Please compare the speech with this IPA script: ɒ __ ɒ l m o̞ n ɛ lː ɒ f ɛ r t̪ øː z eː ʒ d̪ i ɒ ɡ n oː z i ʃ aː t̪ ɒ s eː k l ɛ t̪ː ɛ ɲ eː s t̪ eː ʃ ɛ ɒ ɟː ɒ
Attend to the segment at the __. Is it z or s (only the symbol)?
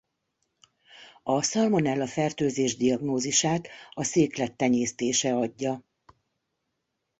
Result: s